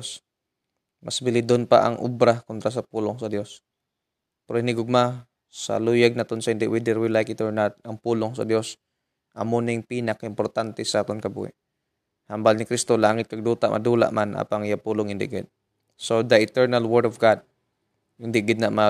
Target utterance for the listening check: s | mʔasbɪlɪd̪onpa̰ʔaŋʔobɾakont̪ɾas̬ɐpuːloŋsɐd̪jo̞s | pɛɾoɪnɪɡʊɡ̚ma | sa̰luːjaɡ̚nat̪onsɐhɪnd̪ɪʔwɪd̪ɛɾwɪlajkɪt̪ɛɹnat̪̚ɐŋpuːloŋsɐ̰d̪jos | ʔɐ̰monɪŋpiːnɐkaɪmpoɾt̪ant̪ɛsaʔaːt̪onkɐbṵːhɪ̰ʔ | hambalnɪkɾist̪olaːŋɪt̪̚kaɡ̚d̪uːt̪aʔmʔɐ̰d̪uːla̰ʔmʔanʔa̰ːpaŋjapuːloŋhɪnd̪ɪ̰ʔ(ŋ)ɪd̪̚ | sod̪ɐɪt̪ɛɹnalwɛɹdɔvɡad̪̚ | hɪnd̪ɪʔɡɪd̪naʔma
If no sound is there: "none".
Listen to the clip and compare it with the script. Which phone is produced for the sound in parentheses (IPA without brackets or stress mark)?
ɡ